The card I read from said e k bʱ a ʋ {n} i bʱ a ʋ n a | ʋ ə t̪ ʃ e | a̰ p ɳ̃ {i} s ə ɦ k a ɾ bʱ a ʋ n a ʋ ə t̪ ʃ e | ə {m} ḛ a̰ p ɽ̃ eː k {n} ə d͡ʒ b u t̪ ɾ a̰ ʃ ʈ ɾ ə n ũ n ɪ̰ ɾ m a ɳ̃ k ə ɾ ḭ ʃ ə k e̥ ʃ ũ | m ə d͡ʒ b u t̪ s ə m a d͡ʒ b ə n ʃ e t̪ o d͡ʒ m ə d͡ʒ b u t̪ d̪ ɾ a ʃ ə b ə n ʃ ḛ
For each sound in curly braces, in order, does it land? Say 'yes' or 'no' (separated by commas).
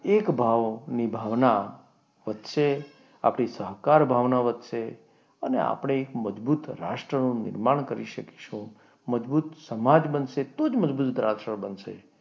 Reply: yes, yes, no, no